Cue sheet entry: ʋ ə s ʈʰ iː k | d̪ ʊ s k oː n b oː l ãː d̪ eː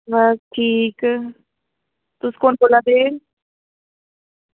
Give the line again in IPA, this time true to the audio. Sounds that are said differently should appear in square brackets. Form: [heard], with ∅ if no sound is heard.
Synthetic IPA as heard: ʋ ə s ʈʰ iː k | [t̪] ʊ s k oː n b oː l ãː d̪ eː